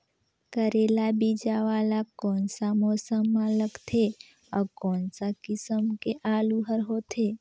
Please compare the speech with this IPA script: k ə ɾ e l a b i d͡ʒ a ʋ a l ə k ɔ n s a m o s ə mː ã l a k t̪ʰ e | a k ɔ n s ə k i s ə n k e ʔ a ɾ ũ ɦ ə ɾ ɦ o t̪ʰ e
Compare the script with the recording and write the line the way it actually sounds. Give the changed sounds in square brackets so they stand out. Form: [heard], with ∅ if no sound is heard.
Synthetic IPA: k ə ɾ e l a b i d͡ʒ a ʋ a l [a] k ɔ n s a m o s ə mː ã l [ə] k t̪ʰ e | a k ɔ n s [a] k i s ə [m] k e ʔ a [l] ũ ɦ ə ɾ ɦ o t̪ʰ e

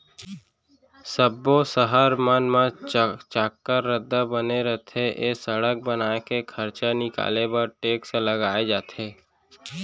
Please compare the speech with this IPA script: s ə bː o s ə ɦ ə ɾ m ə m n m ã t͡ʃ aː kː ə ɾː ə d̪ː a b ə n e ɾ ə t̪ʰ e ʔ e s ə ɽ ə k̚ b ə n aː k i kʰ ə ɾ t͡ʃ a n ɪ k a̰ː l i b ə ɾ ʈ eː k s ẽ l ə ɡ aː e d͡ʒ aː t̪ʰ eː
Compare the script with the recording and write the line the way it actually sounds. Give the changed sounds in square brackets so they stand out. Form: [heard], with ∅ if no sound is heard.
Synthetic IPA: s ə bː o s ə ɦ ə ɾ m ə [∅] n m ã t͡ʃ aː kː ə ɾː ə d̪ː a b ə n e ɾ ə t̪ʰ e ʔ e s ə ɽ ə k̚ b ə n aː k [e] kʰ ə ɾ t͡ʃ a n ɪ k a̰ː l [e] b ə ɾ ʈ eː k s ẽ l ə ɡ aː e d͡ʒ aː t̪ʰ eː

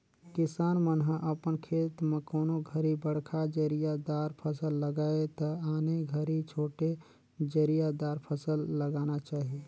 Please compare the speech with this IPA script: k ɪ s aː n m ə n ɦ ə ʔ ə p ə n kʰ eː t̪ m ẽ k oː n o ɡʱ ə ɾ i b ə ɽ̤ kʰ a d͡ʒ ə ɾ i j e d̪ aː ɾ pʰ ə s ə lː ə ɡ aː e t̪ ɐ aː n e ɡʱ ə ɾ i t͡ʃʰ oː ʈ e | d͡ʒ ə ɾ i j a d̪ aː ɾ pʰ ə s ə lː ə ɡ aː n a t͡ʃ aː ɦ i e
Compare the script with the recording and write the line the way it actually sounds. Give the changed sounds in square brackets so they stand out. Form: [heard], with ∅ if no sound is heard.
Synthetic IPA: k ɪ s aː n m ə n ɦ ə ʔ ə p ə n kʰ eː t̪ m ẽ k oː n o ɡʱ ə ɾ i b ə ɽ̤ kʰ a d͡ʒ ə ɾ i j [a] d̪ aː ɾ pʰ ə s ə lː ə ɡ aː e t̪ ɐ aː n e ɡʱ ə ɾ i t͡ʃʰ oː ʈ e | d͡ʒ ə ɾ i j a d̪ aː ɾ pʰ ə s ə lː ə ɡ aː n a t͡ʃ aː ɦ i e

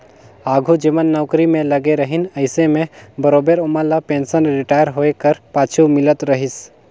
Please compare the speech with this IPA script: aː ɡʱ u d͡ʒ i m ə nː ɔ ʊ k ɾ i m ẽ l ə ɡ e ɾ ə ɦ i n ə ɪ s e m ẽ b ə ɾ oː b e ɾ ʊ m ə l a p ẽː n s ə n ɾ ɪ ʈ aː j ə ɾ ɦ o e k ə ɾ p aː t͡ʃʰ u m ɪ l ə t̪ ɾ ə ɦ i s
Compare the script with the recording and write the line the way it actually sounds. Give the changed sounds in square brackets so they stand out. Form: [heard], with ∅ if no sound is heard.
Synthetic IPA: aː ɡʱ u d͡ʒ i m ə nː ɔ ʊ k ɾ i m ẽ l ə ɡ e ɾ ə ɦ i n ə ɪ s e m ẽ b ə ɾ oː b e ɾ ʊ m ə l a p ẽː n s ə n ɾ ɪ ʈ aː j ə ɾ ɦ o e k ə ɾ p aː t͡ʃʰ u m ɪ l ə t̪ ɾ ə ɦ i s

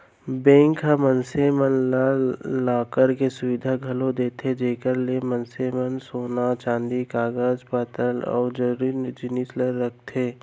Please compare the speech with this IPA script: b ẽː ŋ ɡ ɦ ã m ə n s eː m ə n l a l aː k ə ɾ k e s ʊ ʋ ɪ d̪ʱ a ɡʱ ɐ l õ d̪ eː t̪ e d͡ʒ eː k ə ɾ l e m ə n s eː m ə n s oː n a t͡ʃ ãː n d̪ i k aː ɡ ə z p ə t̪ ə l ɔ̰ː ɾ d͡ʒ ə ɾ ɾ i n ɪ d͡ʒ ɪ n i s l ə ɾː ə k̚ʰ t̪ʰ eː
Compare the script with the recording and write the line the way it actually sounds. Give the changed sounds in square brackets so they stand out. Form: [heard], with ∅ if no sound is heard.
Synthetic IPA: b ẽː ŋ [k] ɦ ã m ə n s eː m ə n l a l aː k ə ɾ k e s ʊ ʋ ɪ d̪ʱ a ɡʱ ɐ l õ d̪ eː t̪ e d͡ʒ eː k ə ɾ l e m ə n s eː m ə n s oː n a t͡ʃ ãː n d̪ i k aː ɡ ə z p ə t̪ ə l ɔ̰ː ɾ d͡ʒ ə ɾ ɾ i n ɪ d͡ʒ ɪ n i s l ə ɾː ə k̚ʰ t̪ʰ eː

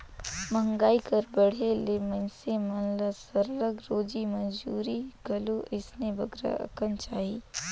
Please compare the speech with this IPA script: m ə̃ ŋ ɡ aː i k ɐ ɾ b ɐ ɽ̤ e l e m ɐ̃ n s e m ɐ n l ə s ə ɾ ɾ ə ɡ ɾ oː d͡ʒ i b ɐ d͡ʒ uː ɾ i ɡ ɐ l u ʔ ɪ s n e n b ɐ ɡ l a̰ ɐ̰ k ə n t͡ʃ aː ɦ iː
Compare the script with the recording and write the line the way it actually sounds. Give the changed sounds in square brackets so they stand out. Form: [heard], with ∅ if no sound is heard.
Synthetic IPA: m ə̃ ŋ ɡ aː i k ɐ ɾ b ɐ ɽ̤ e l e m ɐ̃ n s e m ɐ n l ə s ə ɾ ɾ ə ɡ ɾ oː d͡ʒ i [m] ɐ d͡ʒ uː ɾ i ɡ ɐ l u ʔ ɪ s n e [∅] b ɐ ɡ [ɾ] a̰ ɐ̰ k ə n t͡ʃ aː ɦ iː

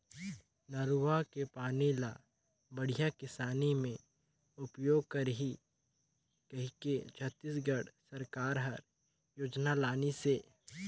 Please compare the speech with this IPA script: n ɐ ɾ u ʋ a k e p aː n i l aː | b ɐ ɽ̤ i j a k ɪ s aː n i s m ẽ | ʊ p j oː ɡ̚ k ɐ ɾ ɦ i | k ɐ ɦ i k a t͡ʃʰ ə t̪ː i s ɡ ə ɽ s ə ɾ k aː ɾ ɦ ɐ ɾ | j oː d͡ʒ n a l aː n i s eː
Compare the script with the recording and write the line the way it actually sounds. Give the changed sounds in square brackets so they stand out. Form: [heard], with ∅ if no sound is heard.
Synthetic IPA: n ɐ ɾ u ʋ a k e p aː n i l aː | b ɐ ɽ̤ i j a k ɪ s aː n i [∅] m ẽ | ʊ p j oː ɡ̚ k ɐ ɾ ɦ i | k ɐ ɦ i k [e] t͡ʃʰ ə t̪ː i s ɡ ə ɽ s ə ɾ k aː ɾ ɦ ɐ ɾ | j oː d͡ʒ n a l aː n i s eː

